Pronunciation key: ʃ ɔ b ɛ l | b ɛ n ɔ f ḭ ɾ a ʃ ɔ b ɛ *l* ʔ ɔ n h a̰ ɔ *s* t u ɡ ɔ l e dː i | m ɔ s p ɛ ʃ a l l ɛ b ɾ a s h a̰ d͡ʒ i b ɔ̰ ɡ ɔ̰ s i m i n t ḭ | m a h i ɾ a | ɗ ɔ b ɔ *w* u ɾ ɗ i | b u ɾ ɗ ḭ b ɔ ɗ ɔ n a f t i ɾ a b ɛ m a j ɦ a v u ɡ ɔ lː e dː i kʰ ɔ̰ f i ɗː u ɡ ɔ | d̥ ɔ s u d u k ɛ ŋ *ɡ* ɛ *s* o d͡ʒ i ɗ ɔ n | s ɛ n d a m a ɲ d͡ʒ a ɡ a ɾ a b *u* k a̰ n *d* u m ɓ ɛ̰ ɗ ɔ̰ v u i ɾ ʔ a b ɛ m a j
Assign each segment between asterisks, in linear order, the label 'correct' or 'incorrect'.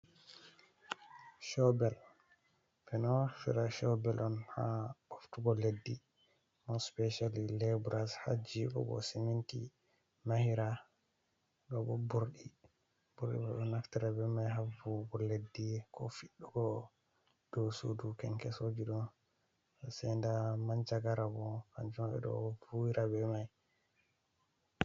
correct, incorrect, incorrect, incorrect, correct, incorrect, incorrect

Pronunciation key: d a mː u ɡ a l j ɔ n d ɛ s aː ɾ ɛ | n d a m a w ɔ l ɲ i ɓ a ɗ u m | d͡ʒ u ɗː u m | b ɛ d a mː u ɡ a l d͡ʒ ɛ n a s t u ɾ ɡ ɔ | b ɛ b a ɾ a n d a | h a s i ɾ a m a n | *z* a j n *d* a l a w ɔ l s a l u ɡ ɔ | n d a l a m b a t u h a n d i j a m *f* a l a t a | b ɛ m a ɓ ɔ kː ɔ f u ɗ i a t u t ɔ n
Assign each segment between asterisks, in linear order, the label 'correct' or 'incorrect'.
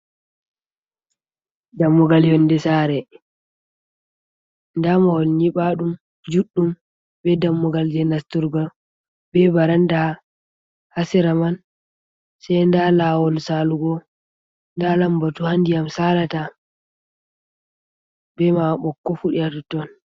incorrect, correct, incorrect

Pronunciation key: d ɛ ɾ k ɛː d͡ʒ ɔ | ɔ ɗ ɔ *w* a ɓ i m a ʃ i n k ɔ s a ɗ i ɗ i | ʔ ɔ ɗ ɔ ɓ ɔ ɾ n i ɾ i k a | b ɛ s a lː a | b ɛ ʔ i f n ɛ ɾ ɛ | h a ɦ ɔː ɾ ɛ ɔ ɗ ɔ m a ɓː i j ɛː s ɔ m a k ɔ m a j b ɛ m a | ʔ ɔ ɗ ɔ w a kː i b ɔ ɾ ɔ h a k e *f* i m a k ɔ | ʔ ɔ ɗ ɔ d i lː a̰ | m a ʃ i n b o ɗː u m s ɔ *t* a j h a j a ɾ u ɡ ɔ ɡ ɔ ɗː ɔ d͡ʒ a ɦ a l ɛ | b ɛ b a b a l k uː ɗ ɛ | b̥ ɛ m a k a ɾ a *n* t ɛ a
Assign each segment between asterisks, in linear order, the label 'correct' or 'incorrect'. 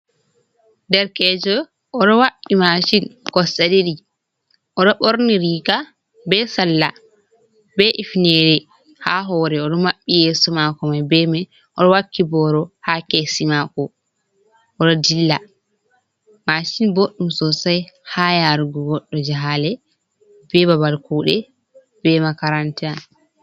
correct, incorrect, incorrect, correct

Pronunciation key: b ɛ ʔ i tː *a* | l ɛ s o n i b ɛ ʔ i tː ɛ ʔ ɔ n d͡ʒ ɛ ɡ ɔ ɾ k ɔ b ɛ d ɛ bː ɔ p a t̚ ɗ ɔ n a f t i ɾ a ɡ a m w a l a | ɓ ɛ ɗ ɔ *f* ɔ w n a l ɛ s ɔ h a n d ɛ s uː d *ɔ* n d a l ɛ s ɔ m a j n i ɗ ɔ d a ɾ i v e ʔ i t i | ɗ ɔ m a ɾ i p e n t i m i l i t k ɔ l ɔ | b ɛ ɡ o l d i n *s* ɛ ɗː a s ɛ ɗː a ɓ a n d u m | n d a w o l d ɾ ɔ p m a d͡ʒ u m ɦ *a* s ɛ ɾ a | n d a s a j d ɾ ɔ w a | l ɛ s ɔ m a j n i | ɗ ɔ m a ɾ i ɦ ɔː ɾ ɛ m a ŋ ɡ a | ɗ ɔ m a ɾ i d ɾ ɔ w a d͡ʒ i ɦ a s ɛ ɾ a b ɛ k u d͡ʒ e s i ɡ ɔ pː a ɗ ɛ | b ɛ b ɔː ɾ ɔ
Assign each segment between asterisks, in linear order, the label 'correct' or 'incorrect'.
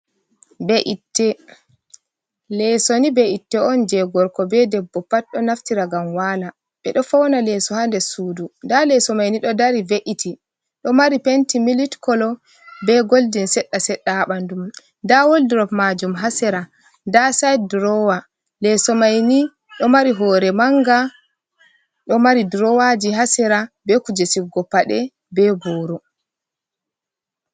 incorrect, correct, incorrect, correct, correct

